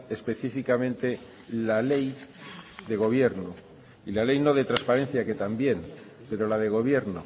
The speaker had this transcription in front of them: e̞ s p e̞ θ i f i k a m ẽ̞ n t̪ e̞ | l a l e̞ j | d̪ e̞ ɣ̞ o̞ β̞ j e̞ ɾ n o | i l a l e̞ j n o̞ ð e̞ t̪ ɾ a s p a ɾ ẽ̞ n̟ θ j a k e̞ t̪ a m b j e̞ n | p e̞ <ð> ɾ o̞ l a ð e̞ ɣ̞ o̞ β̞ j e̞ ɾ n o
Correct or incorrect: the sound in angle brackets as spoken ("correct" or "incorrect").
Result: incorrect